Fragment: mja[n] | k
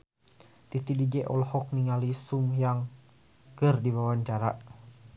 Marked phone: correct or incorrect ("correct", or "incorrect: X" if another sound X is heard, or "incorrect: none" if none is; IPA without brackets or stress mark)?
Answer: incorrect: ŋ